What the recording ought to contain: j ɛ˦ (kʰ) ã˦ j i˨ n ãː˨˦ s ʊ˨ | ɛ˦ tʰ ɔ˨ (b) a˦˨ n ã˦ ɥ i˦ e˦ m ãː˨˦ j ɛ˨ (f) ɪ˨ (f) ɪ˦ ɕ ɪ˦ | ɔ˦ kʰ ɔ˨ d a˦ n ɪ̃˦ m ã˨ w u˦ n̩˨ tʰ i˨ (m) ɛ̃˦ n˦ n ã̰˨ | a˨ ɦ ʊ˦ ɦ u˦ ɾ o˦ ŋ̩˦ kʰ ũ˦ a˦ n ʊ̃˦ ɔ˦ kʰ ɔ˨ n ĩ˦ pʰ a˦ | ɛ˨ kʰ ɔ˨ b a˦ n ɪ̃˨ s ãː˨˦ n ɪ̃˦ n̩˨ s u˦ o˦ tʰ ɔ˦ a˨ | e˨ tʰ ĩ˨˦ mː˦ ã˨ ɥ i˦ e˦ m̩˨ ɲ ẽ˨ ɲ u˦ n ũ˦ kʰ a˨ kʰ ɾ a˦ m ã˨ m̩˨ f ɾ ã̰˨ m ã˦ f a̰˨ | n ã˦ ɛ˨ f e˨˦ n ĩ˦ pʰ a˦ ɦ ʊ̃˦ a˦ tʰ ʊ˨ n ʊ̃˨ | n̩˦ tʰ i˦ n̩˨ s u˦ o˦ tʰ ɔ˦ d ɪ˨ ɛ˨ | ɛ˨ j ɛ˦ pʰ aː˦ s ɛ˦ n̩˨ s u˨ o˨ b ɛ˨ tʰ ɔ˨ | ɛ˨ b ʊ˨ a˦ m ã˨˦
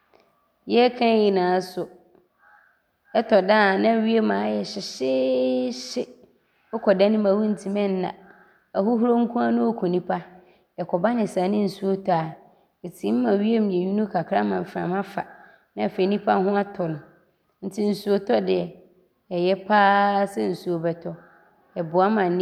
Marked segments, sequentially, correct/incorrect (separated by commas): correct, incorrect, incorrect, incorrect, correct